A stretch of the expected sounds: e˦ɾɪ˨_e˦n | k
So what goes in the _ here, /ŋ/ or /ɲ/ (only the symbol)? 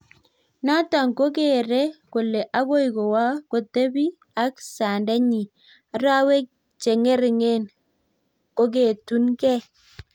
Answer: ŋ